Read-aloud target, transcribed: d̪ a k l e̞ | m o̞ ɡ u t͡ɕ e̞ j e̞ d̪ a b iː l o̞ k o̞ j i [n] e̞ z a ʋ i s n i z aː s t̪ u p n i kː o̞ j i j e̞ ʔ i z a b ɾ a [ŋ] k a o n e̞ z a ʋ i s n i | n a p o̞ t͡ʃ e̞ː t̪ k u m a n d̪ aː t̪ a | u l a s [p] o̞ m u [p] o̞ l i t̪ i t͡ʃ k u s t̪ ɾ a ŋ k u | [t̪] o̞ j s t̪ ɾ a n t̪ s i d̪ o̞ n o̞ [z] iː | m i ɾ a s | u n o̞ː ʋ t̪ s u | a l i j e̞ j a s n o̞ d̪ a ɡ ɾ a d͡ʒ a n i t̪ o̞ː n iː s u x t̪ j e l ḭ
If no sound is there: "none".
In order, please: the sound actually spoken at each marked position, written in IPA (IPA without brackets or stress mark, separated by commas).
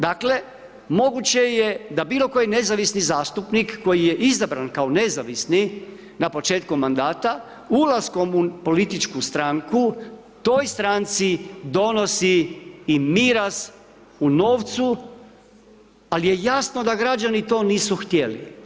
n, n, k, p, t̪, s